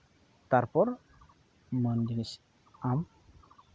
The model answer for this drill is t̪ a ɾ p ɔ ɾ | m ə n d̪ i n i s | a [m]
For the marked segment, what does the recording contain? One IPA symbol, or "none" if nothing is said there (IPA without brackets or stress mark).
m